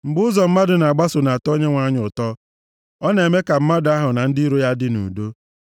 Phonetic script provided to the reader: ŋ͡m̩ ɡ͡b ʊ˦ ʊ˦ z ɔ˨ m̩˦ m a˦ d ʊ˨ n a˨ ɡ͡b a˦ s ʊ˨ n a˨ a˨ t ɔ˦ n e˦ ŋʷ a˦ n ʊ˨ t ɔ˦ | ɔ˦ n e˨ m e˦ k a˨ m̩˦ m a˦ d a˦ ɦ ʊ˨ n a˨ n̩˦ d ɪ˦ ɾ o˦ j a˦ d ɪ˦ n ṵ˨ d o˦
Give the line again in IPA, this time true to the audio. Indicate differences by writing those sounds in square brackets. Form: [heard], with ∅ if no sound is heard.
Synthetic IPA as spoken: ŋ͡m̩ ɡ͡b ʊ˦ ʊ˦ z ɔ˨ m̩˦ m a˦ d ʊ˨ n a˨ ɡ͡b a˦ s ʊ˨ n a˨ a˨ t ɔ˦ [ɲ] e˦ ŋʷ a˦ [ɲ] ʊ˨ t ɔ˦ | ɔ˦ n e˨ m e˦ k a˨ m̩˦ m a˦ d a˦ ɦ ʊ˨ n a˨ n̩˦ d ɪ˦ ɾ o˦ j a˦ d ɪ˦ n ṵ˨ d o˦